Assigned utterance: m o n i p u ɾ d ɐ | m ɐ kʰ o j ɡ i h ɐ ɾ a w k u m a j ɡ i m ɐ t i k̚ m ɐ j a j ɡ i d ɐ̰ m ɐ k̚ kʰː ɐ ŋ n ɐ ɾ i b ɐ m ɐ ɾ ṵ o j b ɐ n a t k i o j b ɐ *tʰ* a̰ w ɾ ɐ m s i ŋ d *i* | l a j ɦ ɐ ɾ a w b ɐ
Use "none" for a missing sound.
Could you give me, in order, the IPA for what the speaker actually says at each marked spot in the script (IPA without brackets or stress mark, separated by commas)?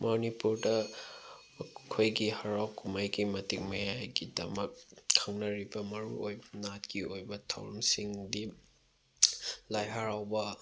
tʰ, i